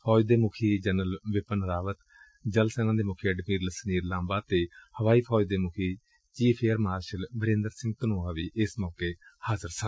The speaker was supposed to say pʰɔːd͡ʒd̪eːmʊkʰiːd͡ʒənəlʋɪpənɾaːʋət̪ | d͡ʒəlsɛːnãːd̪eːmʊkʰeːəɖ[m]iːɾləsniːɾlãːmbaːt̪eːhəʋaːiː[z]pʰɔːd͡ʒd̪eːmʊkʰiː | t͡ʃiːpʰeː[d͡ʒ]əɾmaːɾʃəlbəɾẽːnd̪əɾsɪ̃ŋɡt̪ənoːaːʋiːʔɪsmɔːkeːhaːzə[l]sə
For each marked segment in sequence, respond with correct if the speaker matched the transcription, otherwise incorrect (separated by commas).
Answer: correct, incorrect, incorrect, incorrect